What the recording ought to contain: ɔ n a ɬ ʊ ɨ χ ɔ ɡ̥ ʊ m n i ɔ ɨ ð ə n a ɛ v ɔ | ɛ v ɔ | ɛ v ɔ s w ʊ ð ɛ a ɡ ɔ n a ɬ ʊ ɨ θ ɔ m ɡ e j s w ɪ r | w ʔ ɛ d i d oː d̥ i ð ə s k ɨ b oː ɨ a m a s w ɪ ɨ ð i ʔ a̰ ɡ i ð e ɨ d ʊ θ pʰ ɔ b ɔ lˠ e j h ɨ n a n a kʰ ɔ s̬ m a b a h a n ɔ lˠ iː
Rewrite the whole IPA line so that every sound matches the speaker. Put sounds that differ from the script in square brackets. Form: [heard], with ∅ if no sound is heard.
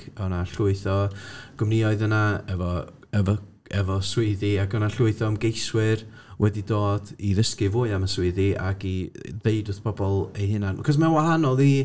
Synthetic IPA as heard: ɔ n a ɬ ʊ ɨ [θ] ɔ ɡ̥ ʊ m n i ɔ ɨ ð ə n a ɛ v ɔ | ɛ v ɔ | ɛ v ɔ s w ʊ ð [i] a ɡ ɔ n a ɬ ʊ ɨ θ ɔ m ɡ e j s w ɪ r | w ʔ ɛ d i d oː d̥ i ð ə s k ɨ [v] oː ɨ a m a s w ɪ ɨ ð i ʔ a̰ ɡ i ð e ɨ d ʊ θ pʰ ɔ b ɔ lˠ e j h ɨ n a n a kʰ ɔ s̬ m a [w] a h a n ɔ lˠ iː